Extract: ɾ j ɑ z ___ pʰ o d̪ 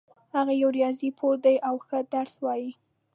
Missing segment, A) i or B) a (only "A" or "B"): A